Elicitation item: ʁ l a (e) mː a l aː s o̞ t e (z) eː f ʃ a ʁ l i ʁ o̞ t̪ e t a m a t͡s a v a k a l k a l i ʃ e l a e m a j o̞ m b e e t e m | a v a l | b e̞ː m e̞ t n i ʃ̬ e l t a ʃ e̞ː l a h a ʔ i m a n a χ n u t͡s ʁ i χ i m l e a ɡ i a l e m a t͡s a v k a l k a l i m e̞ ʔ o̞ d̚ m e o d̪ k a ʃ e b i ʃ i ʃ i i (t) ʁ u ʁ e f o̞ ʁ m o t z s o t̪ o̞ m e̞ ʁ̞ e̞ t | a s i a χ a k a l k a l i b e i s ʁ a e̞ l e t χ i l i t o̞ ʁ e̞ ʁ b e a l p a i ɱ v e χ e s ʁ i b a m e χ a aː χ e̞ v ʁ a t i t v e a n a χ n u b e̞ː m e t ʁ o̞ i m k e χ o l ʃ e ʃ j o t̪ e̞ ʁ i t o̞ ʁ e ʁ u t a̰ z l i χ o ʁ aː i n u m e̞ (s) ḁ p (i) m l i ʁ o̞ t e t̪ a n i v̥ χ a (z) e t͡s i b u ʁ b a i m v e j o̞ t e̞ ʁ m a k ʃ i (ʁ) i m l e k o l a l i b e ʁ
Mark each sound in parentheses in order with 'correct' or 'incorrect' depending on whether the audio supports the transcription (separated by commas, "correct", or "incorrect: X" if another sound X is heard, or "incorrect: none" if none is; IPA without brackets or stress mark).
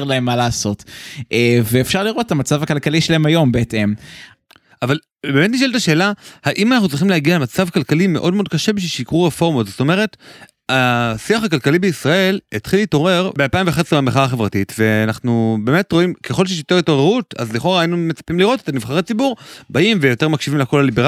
correct, incorrect: v, incorrect: k, incorrect: t͡s, correct, incorrect: ʁ, incorrect: v